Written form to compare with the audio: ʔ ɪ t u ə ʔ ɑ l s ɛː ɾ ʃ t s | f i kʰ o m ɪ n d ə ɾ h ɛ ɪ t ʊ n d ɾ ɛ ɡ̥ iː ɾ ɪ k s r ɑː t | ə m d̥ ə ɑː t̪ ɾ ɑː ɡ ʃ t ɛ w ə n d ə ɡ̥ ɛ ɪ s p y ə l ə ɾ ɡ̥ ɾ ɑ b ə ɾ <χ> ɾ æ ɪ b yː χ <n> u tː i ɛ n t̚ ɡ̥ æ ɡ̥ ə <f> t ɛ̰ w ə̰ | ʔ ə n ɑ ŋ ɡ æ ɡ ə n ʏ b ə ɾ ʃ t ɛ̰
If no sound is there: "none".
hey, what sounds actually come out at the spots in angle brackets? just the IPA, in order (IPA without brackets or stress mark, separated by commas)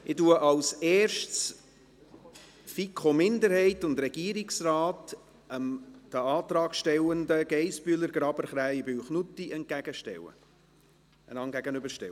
χ, n, ʃ